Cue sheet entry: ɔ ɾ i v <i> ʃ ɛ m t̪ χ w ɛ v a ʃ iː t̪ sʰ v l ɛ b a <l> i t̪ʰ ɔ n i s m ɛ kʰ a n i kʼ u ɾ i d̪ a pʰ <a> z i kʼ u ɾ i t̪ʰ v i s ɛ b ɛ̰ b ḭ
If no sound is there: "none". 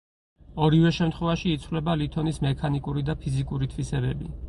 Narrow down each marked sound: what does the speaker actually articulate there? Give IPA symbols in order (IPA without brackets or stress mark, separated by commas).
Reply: ɛ, l, i